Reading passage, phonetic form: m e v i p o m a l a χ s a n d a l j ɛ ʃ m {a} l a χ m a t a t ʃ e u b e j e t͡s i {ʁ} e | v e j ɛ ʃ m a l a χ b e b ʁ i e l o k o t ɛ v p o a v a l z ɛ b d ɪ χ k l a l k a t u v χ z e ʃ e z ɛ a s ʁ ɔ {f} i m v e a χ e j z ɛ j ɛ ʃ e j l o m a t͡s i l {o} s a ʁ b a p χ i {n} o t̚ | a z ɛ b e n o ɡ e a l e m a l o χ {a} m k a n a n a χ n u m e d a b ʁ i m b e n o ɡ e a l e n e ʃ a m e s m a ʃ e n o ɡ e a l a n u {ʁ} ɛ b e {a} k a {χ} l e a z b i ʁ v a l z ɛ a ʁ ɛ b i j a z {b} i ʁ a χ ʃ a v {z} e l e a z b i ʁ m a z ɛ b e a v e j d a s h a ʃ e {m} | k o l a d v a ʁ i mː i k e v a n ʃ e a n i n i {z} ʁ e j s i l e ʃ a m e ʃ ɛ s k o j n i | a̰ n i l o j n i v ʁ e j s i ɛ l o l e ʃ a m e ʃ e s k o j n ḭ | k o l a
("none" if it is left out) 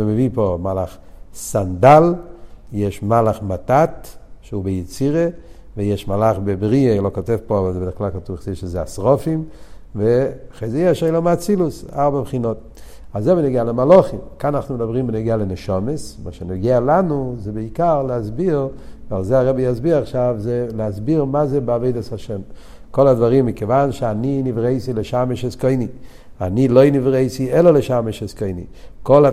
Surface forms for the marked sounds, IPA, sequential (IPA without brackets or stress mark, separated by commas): a, ʁ, f, u, n, i, z, i, ʁ, b, z, m, v